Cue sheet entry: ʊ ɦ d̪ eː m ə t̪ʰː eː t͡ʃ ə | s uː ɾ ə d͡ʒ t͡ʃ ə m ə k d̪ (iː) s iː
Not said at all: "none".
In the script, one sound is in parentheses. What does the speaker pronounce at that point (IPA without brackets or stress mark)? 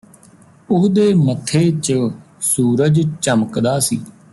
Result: aː